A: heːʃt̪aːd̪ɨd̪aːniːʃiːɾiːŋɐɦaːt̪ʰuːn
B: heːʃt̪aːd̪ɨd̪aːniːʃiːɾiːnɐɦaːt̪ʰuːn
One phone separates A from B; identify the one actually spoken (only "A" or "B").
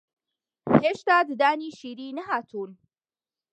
B